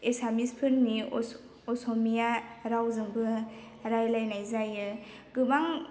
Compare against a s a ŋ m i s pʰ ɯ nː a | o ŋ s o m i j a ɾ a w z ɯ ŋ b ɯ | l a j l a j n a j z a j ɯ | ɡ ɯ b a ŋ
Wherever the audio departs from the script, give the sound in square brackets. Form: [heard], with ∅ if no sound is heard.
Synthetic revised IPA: [e] s a [∅] m i s pʰ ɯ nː [i] | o [∅] s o m i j a ɾ a w z ɯ ŋ b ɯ | [ɾ] a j l a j n a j z a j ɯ | ɡ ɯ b a ŋ